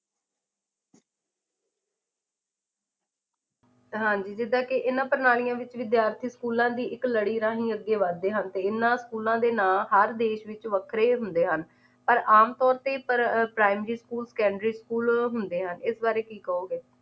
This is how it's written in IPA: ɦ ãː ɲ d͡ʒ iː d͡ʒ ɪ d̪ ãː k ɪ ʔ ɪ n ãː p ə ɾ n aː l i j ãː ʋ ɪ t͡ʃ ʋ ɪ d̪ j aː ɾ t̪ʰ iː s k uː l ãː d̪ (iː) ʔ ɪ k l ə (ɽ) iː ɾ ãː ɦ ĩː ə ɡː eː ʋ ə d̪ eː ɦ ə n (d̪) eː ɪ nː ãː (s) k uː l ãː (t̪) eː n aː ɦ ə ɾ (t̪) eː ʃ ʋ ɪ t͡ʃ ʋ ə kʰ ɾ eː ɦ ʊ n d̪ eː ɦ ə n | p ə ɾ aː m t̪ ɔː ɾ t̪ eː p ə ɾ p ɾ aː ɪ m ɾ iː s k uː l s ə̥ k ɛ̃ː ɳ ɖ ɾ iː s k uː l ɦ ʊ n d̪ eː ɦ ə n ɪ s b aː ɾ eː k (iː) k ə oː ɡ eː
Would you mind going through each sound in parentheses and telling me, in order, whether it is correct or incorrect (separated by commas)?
correct, correct, incorrect, correct, incorrect, incorrect, correct